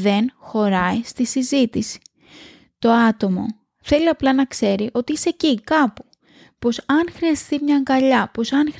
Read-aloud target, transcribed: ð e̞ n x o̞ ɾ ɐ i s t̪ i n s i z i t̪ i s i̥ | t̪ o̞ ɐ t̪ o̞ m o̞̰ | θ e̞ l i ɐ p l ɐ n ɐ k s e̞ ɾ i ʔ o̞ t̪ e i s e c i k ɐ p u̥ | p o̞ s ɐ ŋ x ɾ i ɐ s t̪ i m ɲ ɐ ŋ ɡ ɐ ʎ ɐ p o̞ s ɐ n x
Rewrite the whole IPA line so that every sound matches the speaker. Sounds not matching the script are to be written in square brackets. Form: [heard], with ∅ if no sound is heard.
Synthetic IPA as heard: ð e̞ n x o̞ ɾ ɐ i s t̪ i [∅] s i z i t̪ i s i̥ | t̪ o̞ ɐ t̪ o̞ m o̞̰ | θ e̞ l i ɐ p l ɐ n ɐ k s e̞ ɾ i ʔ o̞ t̪ [i] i s e c i k ɐ p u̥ | p o̞ s ɐ [n] x ɾ i ɐ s t̪ i m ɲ ɐ ŋ ɡ ɐ ʎ ɐ p o̞ s ɐ n x